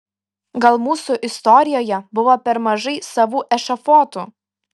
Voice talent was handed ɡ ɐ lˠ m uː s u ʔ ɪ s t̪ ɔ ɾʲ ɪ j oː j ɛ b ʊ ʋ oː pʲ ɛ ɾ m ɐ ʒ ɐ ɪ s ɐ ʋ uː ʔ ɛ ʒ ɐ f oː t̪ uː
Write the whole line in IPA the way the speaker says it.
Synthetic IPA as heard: ɡ ɐ lˠ m uː s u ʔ ɪ s t̪ ɔ ɾʲ ɪ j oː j ɛ b ʊ ʋ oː pʲ ɛ ɾ m ɐ ʒ ɐ ɪ s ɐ ʋ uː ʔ ɛ ʃ ɐ f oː t̪ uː